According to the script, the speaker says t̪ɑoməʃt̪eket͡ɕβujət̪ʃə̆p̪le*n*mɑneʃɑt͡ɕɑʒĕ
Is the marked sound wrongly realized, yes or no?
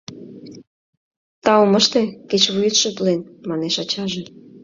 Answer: no